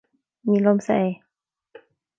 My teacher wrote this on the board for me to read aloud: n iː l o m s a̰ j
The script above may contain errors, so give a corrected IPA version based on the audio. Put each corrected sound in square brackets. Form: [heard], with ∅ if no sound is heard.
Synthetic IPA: [m] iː l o m s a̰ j